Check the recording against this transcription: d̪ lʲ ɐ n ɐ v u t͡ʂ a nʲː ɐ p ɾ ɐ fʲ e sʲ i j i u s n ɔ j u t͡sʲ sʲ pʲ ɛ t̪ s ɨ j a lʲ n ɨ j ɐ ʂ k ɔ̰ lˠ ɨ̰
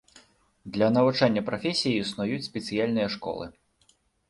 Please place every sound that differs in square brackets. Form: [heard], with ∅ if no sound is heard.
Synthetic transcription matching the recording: d̪ lʲ ɐ n ɐ v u t͡ʂ a nʲː ɐ p ɾ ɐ fʲ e sʲ i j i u s n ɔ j u t͡sʲ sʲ pʲ ɛ t̪ s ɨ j a lʲ n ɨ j ɐ ʂ k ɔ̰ lˠ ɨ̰